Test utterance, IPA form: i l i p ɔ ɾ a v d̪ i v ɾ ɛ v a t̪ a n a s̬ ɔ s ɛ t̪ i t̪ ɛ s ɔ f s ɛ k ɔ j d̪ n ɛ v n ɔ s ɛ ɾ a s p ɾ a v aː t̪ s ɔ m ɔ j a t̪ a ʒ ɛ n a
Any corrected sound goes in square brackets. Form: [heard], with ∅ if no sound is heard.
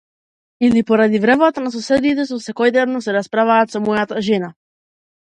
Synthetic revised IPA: i l i p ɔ ɾ a [∅] d̪ i v ɾ ɛ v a t̪ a n a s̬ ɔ s ɛ [d̪] i t̪ ɛ s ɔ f s ɛ k ɔ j d̪ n ɛ v n ɔ s ɛ ɾ a s p ɾ a v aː t̪ s ɔ m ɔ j a t̪ a ʒ ɛ n a